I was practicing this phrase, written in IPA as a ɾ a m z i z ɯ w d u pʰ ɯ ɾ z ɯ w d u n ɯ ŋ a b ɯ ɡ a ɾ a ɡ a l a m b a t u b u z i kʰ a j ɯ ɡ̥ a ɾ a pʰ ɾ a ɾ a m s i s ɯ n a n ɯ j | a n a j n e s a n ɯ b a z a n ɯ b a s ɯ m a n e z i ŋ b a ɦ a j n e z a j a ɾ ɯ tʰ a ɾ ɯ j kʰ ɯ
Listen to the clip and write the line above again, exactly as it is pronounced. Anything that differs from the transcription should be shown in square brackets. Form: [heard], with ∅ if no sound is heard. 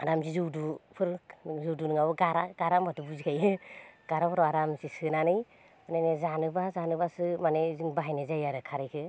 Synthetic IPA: a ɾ a m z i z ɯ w d u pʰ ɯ ɾ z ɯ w d u n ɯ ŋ a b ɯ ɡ a ɾ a ɡ a [ɾ] a m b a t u b u z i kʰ a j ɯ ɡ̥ a ɾ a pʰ ɾ a ɾ a m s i s ɯ n a n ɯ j | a n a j n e [z] a n ɯ b a z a n ɯ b a s ɯ m a n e z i ŋ b a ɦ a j n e z a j a ɾ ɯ [kʰ] a ɾ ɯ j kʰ ɯ